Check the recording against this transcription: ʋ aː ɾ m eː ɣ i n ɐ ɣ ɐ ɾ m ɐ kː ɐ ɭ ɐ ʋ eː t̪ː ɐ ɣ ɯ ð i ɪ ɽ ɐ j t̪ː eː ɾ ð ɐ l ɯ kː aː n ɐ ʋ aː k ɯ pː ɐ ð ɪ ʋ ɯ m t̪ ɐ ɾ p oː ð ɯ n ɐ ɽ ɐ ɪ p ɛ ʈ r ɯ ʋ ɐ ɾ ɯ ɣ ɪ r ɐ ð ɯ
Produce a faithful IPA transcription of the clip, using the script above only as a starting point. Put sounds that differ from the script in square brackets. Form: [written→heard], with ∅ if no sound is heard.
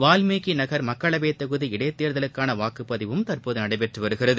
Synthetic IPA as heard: ʋ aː [ɾ→l] m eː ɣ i n ɐ ɣ ɐ ɾ m ɐ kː ɐ ɭ ɐ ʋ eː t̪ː ɐ ɣ ɯ ð i ɪ ɽ ɐ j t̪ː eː ɾ ð ɐ l ɯ kː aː n ɐ ʋ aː k ɯ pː ɐ ð ɪ ʋ ɯ m t̪ ɐ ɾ p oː ð ɯ n ɐ ɽ ɐ ɪ p ɛ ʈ r ɯ ʋ ɐ ɾ ɯ ɣ ɪ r ɐ ð ɯ